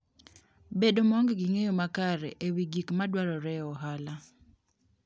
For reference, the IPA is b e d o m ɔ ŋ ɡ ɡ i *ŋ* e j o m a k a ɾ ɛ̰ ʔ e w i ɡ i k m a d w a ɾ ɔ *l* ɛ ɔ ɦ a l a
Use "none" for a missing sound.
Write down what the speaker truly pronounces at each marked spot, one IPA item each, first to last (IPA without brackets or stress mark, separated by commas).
ŋ, ɾ